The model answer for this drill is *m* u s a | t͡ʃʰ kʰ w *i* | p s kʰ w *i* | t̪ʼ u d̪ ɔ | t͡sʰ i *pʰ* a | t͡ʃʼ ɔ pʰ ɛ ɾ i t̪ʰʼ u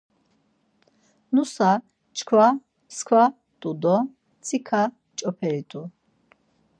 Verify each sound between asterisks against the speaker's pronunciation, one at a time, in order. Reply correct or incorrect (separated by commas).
incorrect, incorrect, incorrect, incorrect